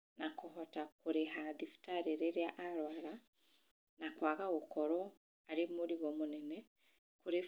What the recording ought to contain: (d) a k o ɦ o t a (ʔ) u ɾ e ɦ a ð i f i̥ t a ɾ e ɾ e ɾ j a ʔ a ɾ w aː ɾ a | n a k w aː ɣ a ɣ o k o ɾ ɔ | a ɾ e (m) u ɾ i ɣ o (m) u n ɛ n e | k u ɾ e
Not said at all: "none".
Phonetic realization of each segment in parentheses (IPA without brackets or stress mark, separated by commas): n, k, m, m